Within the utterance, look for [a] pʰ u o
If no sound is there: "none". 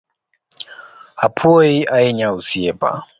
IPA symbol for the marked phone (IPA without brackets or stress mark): a